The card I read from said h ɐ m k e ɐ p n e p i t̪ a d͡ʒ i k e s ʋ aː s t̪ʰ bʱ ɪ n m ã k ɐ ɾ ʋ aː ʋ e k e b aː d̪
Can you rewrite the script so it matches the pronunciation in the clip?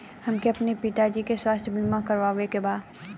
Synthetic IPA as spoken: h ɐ m k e ɐ p n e p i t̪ a d͡ʒ i k e s w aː s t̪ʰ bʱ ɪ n m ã k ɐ ɾ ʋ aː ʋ e k e b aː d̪